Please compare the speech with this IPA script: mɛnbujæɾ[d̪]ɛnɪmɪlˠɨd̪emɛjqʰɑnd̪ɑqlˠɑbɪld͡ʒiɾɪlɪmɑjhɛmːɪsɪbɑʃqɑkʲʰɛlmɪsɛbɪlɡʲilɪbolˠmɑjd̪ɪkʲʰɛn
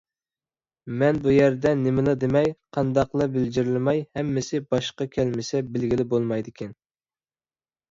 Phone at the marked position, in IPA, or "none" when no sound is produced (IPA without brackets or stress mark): d̪